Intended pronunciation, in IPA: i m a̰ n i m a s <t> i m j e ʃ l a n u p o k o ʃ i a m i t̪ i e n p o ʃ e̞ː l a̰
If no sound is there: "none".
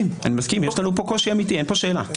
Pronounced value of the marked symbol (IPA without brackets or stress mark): k